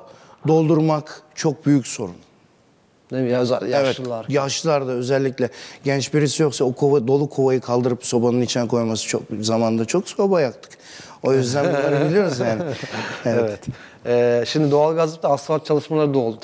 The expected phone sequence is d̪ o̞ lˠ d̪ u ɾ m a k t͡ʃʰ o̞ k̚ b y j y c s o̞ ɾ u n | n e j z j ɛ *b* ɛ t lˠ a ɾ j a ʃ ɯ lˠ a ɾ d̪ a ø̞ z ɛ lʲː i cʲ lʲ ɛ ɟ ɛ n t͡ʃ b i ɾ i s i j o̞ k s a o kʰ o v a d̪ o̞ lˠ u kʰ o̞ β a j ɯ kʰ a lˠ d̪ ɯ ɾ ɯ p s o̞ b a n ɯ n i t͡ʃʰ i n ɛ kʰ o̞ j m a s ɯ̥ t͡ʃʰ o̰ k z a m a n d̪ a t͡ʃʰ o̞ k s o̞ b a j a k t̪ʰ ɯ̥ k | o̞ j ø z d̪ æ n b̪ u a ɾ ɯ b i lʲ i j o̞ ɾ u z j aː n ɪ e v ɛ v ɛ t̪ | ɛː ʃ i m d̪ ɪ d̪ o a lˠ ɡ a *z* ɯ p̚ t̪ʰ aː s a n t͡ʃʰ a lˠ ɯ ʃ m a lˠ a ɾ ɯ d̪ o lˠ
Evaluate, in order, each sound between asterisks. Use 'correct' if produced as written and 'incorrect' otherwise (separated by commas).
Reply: incorrect, correct